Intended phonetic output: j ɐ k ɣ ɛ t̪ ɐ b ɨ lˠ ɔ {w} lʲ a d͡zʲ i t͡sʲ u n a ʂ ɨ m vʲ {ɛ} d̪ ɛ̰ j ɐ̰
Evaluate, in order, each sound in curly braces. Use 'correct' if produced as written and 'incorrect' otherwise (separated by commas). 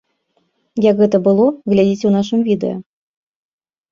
incorrect, incorrect